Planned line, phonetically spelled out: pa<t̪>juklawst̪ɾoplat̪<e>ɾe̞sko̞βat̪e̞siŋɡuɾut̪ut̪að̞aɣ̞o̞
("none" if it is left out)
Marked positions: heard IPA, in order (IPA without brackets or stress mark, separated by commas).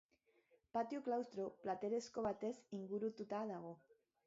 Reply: t̪, e